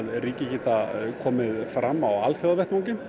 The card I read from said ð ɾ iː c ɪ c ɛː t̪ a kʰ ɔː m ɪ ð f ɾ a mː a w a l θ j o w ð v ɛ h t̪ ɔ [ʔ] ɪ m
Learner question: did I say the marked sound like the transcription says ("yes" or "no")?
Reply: no